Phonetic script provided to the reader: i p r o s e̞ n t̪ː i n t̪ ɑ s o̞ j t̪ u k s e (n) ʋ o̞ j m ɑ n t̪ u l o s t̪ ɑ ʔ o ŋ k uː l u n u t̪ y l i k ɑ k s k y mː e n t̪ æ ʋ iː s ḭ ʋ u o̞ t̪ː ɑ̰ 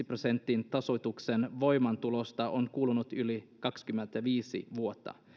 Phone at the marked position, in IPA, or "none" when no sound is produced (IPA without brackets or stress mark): n